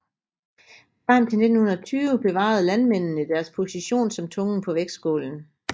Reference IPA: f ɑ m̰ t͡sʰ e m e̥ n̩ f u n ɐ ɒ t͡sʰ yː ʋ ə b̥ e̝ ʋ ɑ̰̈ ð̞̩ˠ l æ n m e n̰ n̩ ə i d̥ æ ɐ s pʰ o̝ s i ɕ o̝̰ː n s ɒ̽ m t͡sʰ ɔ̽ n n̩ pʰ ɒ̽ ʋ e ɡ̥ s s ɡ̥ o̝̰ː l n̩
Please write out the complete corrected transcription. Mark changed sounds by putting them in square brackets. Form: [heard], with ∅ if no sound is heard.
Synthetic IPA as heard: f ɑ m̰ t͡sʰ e [n] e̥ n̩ [h] u n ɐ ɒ t͡sʰ yː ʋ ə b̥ e̝ ʋ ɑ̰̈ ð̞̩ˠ l æ n m e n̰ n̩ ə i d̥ æ ɐ s pʰ o̝ s i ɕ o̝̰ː n s ɒ̽ m t͡sʰ ɔ̽ [ŋ] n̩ pʰ ɒ̽ ʋ e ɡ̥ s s ɡ̥ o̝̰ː l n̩